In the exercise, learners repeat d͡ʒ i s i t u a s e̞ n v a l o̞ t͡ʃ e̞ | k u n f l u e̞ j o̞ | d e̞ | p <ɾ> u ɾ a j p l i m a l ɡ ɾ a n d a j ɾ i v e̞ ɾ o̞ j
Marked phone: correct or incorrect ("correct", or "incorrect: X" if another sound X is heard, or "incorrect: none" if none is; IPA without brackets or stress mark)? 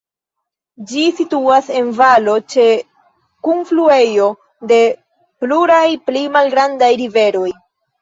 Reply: incorrect: l